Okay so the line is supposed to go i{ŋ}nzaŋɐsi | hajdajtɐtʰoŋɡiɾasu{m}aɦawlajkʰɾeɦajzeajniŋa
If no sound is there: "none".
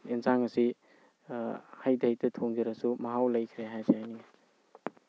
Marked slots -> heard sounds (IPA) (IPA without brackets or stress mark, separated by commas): none, m